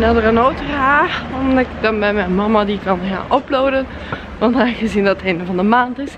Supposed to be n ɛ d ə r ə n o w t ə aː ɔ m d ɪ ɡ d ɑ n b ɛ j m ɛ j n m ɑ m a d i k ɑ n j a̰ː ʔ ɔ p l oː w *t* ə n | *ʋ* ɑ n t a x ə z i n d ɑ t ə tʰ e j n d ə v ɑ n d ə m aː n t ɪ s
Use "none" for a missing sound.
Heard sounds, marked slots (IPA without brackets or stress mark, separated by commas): d, ʋ